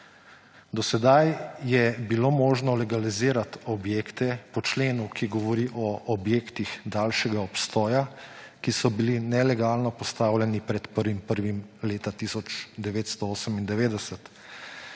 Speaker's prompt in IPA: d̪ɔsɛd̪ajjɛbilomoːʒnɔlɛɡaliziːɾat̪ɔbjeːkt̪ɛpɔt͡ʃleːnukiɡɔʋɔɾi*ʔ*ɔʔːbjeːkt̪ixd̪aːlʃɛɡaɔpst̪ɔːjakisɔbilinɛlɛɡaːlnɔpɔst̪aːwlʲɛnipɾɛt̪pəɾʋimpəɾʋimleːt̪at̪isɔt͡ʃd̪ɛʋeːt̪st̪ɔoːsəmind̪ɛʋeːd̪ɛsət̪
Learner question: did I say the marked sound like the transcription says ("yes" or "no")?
yes